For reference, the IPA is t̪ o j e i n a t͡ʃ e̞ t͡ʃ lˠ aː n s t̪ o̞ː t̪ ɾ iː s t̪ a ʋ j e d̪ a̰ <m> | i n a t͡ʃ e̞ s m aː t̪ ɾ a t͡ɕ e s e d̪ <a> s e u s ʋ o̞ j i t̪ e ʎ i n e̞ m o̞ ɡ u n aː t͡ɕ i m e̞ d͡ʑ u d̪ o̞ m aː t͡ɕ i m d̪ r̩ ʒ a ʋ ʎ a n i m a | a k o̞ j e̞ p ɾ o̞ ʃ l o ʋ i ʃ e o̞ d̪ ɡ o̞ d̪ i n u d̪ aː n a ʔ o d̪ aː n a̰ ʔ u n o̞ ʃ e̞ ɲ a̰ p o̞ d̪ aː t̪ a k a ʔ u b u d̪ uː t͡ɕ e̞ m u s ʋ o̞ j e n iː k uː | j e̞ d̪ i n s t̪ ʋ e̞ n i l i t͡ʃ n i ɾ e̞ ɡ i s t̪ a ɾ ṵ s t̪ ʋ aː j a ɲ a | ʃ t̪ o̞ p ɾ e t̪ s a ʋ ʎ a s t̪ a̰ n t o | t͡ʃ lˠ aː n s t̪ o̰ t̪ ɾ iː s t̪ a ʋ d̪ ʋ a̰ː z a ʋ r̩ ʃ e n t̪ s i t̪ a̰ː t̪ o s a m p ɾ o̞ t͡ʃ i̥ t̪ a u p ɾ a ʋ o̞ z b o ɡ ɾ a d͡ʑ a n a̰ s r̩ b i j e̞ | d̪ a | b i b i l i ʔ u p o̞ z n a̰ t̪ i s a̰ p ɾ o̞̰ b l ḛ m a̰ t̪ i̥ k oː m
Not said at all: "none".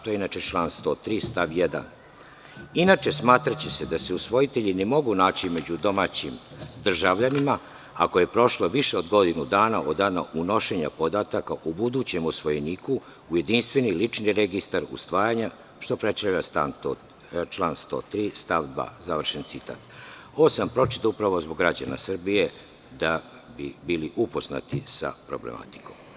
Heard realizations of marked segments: n, a

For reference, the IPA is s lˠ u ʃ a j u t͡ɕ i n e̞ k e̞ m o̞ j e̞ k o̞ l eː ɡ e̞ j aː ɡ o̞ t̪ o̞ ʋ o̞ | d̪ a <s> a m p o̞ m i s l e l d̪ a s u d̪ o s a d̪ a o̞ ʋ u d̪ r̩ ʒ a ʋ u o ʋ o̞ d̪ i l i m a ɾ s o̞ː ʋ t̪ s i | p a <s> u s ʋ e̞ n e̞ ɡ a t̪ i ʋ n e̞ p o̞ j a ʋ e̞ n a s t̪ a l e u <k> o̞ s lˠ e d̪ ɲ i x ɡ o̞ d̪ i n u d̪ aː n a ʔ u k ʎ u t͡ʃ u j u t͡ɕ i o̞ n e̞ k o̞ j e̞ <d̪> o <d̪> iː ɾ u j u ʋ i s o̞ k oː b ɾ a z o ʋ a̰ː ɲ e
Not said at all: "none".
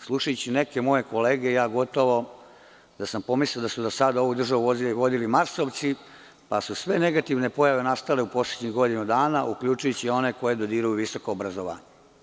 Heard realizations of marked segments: s, s, p, d̪, d̪

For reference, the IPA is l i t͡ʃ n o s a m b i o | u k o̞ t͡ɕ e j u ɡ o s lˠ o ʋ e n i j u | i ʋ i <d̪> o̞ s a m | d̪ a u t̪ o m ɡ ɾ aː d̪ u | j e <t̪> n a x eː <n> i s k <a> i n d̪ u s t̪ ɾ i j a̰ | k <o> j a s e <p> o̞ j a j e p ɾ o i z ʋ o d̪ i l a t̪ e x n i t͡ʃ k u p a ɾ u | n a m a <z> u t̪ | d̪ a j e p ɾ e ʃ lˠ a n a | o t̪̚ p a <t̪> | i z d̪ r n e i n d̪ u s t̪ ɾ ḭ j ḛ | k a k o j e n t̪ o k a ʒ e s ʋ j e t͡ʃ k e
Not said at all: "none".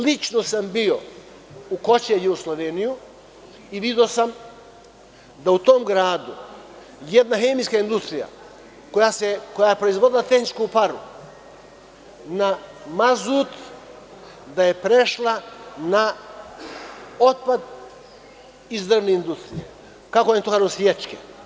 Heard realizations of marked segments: d̪, d̪, m, a, o, k, z, d̪

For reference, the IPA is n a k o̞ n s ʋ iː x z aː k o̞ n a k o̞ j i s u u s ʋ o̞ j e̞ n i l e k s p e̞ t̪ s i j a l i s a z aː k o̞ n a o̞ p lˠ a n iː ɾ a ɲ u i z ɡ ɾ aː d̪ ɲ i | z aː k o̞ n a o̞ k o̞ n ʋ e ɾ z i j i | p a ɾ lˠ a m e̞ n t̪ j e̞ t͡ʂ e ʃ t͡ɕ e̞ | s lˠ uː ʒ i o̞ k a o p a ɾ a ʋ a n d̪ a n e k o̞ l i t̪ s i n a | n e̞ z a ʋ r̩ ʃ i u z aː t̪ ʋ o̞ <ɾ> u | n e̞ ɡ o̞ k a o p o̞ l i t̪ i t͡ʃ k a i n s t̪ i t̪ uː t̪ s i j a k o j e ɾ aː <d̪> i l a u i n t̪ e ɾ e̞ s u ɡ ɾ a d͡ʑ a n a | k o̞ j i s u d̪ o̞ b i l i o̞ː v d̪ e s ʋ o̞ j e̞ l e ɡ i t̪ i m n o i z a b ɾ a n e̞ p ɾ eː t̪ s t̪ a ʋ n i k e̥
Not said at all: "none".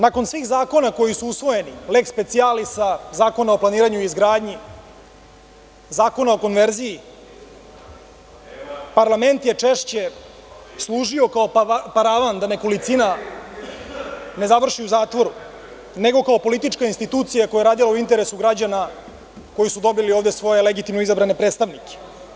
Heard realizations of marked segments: ɾ, d̪

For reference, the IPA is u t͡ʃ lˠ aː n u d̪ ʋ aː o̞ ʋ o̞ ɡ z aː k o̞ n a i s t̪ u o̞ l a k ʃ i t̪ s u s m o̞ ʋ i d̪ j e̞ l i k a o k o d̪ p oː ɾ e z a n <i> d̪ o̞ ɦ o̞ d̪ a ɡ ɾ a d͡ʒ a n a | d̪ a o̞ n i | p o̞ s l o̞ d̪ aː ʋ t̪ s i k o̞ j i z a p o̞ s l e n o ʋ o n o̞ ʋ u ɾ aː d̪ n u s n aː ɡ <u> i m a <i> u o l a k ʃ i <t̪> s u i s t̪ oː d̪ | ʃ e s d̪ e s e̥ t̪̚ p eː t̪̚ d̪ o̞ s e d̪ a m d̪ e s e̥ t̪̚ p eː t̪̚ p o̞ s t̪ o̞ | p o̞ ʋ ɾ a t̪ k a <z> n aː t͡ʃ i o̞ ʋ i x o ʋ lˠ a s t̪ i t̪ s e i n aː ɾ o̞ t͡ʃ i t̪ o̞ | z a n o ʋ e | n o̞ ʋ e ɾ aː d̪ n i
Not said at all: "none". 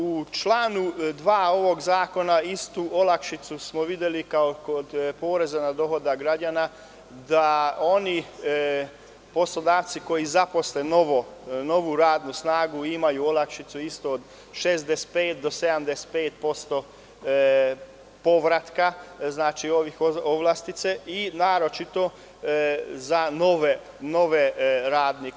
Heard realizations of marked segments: a, u, j, t̪, z

